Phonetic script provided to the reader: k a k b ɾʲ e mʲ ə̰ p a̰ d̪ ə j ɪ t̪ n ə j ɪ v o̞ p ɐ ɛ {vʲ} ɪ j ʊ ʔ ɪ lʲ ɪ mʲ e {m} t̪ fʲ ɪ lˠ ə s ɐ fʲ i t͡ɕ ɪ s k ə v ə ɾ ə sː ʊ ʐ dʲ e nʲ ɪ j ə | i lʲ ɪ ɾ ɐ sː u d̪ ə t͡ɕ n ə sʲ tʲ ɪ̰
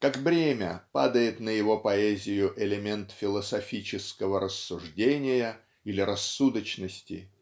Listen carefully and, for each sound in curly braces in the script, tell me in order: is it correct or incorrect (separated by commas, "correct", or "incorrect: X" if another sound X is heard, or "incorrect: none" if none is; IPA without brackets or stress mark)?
incorrect: zʲ, incorrect: n